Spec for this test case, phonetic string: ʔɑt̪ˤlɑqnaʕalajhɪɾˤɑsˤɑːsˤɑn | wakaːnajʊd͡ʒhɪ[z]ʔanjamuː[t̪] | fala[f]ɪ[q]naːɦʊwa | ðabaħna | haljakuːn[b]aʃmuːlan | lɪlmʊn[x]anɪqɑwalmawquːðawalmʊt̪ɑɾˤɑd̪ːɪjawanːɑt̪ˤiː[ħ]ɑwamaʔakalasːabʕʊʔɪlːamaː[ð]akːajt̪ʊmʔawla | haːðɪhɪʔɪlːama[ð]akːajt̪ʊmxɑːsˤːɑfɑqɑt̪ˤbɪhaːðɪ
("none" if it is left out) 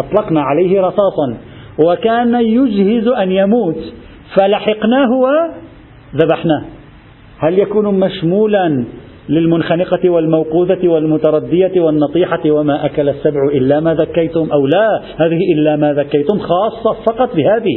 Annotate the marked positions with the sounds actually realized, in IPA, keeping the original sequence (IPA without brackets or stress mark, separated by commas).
z, t̪, ħ, q, m, x, ħ, ð, ð